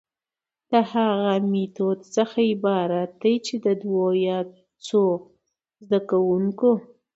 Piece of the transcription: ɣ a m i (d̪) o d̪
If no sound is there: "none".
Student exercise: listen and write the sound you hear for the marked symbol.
t̪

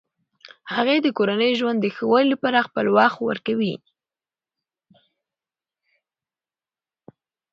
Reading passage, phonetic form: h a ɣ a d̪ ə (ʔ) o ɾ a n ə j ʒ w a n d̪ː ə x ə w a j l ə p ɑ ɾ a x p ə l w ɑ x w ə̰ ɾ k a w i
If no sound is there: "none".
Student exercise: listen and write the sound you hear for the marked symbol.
k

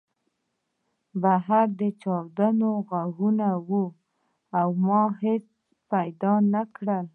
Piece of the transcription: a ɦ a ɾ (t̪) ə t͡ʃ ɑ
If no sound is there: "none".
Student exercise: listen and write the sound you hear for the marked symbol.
d̪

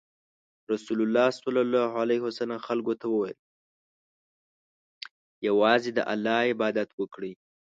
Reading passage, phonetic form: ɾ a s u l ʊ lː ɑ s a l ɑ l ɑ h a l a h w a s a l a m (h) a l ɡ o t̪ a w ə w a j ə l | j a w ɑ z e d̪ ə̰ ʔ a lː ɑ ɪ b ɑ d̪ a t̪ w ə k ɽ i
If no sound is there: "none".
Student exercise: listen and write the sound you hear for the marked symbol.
x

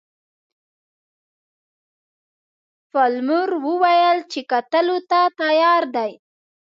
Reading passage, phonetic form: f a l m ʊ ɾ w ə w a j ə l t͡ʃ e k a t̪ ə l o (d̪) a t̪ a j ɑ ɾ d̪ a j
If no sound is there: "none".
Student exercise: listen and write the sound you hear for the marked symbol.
t̪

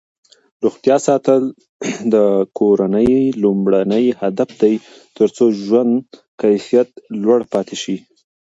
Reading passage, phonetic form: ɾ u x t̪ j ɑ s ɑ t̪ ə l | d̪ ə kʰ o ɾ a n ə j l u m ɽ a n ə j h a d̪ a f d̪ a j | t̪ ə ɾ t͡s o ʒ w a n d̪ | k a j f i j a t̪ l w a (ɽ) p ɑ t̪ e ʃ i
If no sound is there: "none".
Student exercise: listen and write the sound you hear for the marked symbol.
ɽ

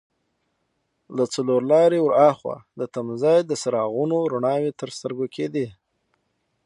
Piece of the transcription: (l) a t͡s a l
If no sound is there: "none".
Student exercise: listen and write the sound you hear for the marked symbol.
l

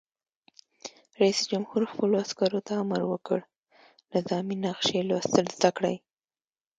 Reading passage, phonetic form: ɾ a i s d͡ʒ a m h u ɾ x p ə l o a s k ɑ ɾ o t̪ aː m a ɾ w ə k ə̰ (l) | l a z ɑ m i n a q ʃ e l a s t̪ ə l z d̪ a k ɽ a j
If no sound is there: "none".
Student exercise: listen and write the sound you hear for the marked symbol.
ɽ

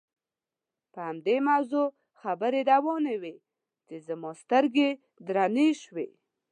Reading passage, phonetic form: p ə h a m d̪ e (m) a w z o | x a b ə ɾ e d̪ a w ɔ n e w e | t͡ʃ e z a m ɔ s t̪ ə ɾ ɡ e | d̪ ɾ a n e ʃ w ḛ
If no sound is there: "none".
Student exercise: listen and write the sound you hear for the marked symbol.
m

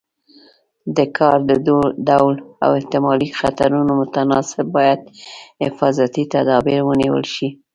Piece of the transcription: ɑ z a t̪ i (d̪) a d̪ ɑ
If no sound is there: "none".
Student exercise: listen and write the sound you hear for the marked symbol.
t̪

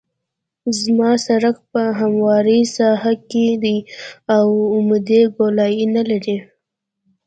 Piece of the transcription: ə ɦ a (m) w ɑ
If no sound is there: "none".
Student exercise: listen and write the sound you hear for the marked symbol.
m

